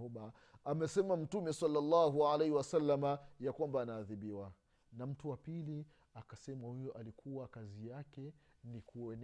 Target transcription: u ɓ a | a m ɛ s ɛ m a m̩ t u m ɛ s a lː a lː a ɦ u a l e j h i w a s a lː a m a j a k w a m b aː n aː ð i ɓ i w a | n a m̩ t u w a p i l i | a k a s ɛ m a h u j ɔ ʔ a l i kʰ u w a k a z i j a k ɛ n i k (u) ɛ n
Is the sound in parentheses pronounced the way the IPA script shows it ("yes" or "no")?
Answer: yes